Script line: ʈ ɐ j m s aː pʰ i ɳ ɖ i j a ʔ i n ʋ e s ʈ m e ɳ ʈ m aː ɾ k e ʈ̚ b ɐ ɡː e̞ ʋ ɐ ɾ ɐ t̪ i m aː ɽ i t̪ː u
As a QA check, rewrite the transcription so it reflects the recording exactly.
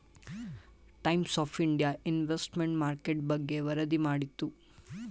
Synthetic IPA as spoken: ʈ ɐ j m s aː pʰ i ɳ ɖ i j a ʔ i n ʋ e s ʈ m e ɳ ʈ m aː ɾ k e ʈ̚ b ɐ ɡː e̞ ʋ ɐ ɾ ɐ d̪ i m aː ɽ i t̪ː u